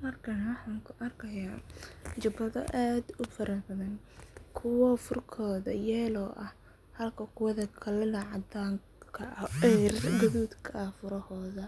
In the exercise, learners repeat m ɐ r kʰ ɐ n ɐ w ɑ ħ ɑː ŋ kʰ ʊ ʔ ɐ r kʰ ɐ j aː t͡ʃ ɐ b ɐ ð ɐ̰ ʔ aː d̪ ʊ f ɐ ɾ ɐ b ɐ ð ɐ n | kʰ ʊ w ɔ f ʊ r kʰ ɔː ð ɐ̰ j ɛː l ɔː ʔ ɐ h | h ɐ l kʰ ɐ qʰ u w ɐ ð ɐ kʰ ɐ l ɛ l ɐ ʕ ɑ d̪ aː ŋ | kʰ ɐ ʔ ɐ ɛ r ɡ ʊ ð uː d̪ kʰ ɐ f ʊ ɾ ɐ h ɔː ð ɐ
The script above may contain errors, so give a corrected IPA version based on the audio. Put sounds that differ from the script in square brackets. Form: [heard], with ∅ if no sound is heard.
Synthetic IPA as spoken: m ɐ r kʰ ɐ n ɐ w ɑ ħ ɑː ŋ kʰ ʊ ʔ ɐ r kʰ ɐ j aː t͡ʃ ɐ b ɐ ð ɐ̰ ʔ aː d̪ ʊ f ɐ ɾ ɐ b ɐ ð ɐ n | kʰ ʊ w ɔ f ʊ r kʰ ɔː ð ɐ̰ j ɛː l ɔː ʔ ɐ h | h ɐ l kʰ ɐ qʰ [ʊ] w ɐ ð ɐ kʰ ɐ l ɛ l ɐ ʕ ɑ d̪ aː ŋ | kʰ ɐ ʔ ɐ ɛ r ɡ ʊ ð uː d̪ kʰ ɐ f ʊ ɾ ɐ h ɔː ð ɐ